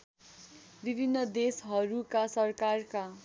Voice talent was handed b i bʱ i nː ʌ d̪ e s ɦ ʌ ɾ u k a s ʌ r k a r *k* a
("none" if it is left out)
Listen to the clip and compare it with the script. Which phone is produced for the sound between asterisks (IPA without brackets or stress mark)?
k